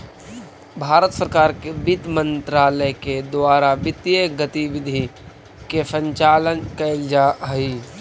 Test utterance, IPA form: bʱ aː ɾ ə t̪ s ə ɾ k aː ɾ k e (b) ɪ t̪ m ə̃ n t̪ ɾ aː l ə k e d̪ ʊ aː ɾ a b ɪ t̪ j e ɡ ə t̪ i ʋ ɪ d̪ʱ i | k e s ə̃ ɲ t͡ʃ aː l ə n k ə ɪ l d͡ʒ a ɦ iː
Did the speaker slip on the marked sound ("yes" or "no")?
no